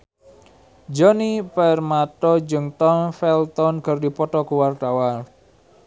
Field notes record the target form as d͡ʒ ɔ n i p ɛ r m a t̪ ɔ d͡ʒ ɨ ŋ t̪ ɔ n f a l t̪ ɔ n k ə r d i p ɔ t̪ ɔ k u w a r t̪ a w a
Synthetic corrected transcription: d͡ʒ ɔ n i p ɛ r m a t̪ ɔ d͡ʒ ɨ ŋ t̪ ɔ n f ɛ l t̪ ɔ n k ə r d i p ɔ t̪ ɔ k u w a r t̪ a w a